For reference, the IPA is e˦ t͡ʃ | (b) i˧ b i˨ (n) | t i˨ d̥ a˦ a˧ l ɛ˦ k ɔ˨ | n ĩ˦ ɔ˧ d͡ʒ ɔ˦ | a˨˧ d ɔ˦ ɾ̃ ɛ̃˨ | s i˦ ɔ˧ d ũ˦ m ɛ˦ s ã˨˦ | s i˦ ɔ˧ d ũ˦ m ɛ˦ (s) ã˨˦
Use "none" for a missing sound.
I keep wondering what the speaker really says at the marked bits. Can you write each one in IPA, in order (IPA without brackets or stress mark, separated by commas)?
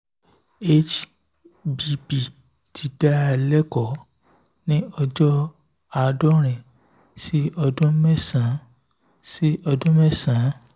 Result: b, none, s